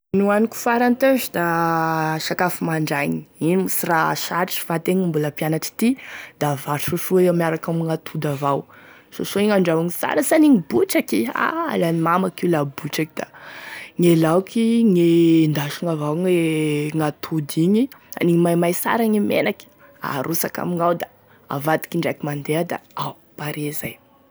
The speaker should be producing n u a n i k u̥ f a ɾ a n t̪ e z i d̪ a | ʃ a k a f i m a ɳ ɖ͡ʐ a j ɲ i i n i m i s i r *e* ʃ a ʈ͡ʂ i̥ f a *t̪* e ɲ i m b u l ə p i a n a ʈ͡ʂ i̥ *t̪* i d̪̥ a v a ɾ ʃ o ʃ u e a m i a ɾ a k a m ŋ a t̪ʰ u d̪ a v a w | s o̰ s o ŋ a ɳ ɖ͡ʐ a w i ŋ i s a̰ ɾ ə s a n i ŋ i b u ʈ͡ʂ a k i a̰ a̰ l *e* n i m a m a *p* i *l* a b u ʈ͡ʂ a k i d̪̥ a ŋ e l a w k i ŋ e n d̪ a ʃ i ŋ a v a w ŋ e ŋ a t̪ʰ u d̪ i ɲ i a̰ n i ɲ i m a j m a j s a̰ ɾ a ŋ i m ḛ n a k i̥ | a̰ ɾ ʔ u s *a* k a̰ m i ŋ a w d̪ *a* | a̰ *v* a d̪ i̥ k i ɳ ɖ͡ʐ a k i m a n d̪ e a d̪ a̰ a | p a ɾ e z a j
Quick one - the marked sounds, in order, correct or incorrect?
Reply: incorrect, correct, correct, incorrect, incorrect, correct, correct, correct, correct

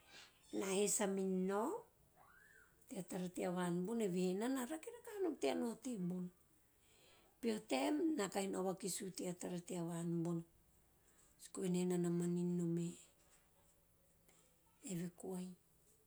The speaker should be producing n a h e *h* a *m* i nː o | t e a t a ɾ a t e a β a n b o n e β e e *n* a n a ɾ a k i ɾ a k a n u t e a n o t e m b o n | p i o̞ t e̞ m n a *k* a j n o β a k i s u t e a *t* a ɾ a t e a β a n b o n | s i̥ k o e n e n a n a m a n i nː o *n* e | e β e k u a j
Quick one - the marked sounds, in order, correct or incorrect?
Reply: incorrect, correct, correct, correct, correct, incorrect

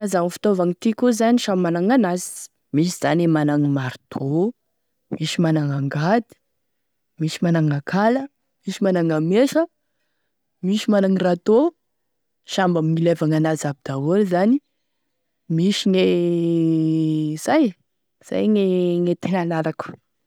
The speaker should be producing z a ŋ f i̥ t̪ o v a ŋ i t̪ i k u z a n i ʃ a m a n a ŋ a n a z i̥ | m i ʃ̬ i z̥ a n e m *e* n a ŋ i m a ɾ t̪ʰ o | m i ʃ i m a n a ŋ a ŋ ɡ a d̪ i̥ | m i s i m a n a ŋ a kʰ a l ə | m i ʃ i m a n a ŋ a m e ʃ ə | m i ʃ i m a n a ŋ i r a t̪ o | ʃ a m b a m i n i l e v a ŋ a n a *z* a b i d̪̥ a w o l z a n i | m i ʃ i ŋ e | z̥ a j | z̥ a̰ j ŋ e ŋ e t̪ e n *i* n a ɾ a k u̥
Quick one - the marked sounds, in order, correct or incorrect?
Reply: incorrect, correct, incorrect

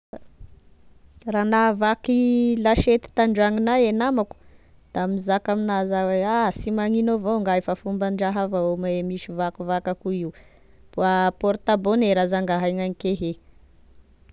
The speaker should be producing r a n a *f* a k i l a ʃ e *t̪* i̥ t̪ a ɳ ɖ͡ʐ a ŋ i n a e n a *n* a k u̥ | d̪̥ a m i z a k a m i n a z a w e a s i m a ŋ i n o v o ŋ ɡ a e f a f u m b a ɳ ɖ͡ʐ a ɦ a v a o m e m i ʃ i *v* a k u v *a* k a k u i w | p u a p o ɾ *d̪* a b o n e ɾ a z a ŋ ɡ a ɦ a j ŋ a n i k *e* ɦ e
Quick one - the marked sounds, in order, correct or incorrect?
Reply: incorrect, correct, incorrect, correct, correct, incorrect, correct

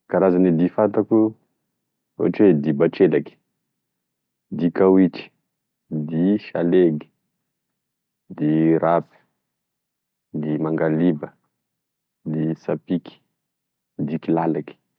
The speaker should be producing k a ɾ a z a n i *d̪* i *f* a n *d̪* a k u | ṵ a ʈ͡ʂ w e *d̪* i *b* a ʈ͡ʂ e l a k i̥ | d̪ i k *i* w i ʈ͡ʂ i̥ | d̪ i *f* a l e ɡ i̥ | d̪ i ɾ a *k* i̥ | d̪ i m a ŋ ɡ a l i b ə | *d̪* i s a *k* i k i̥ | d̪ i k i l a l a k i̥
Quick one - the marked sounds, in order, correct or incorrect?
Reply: correct, correct, incorrect, correct, correct, incorrect, incorrect, incorrect, correct, incorrect

